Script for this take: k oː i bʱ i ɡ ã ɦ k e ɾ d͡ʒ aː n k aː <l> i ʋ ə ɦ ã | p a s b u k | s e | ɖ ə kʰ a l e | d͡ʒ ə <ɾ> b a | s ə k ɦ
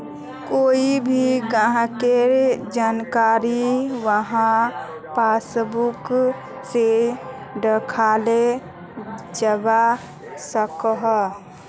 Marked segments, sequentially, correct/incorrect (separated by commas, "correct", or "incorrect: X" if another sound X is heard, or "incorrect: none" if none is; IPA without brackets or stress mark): incorrect: ɾ, incorrect: none